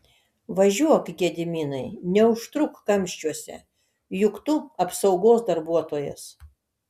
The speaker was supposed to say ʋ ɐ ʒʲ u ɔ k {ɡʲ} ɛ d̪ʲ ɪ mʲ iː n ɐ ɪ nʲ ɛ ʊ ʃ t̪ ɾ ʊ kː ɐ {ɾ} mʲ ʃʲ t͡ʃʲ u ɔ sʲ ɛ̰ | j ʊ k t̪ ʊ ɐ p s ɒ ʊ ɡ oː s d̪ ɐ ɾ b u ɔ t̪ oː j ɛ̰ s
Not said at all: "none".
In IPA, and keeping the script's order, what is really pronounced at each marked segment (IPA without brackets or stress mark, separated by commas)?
ɡʲ, none